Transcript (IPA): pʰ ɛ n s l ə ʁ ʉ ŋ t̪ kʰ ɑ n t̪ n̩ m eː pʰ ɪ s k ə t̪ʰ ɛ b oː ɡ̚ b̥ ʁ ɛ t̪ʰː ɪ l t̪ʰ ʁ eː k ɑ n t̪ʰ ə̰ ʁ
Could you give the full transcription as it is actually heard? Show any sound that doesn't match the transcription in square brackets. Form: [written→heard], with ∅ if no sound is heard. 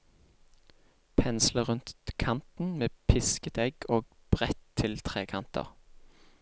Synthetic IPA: pʰ ɛ n s l ə ʁ ʉ [ŋ→n] t̪ kʰ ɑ n t̪ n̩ m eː pʰ ɪ s k ə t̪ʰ ɛ [b→ɡ] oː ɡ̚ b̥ ʁ ɛ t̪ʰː ɪ l t̪ʰ ʁ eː [k→kʰ] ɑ n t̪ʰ ə̰ ʁ